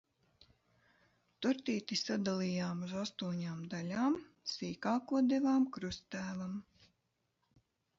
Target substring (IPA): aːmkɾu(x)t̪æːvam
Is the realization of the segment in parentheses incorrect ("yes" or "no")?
yes